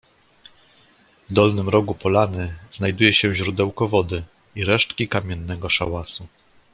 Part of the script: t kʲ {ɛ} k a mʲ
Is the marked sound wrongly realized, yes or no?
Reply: yes